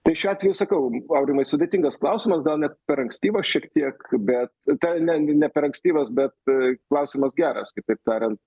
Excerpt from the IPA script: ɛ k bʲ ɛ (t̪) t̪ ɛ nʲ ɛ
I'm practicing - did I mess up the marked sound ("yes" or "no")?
no